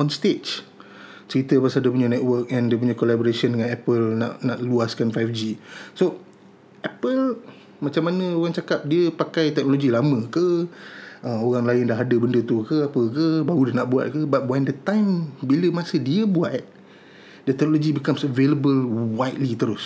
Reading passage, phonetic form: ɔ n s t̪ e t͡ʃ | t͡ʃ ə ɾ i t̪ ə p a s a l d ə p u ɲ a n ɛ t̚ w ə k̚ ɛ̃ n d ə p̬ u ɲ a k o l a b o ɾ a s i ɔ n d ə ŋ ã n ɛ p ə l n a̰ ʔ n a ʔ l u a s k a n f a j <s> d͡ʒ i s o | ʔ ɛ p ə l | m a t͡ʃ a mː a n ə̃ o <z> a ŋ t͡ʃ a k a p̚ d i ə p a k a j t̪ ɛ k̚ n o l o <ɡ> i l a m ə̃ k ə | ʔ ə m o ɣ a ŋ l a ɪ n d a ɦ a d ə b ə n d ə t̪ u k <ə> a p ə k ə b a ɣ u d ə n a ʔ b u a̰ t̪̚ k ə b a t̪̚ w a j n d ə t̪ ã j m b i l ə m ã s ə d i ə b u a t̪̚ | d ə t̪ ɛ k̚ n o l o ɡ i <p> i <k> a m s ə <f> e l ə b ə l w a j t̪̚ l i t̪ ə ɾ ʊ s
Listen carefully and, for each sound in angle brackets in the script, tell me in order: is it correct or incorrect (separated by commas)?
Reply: incorrect, incorrect, correct, correct, incorrect, correct, incorrect